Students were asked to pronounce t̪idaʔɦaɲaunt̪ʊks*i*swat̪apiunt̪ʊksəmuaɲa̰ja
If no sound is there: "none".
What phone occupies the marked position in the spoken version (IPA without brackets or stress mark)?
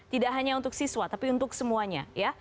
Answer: i